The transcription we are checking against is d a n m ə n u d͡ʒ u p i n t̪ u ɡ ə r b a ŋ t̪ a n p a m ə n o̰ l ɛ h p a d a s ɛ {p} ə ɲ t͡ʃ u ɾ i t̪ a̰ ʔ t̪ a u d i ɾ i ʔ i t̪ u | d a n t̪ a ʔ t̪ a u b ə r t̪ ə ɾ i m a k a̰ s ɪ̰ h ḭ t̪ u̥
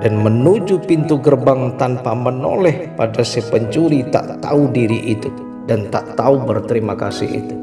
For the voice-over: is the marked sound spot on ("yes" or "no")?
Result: yes